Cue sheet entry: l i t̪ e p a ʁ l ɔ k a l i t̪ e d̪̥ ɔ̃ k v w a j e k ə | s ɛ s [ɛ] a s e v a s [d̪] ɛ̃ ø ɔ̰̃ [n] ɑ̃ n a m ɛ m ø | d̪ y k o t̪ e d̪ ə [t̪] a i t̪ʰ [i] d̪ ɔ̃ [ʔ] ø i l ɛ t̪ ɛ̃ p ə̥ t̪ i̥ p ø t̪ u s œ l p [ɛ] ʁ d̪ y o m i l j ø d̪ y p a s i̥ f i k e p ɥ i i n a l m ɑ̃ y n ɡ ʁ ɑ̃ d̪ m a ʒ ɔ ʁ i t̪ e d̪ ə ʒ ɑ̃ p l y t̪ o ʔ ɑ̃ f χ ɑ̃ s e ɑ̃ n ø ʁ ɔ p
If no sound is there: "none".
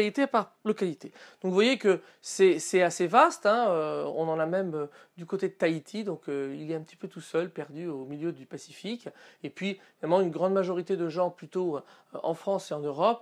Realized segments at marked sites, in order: ɛ, t̪, n, t̪, i, k, ɛ

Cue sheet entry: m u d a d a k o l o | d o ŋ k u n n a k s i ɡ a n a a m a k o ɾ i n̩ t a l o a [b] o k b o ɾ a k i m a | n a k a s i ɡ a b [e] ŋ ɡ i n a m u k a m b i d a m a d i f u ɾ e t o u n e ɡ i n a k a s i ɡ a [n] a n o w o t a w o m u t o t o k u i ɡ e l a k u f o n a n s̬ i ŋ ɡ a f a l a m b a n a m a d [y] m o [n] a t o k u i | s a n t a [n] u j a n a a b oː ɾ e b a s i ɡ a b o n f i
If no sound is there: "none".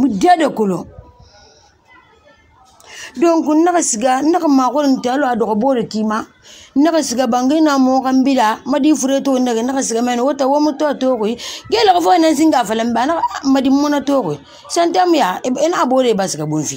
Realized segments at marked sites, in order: d, a, m, i, n, m

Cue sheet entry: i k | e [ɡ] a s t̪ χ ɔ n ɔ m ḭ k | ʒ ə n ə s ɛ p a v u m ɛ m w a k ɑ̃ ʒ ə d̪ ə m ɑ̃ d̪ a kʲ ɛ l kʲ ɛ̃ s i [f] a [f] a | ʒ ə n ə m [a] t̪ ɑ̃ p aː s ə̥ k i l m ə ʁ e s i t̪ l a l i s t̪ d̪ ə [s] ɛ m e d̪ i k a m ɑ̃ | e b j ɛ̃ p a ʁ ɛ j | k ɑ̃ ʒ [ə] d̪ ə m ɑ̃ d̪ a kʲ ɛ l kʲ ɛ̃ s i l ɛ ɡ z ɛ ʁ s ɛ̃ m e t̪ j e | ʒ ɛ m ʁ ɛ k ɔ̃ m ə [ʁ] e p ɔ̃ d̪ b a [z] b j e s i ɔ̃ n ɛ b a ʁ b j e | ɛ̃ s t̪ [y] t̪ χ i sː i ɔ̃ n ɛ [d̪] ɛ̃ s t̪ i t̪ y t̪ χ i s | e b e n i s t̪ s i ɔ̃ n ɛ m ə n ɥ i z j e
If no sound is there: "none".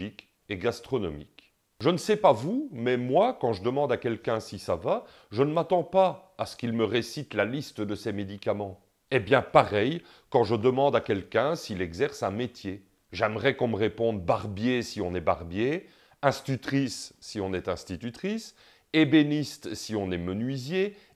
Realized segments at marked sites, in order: ɡ, s, v, a, s, ə, ʁ, ʁ, y, t̪

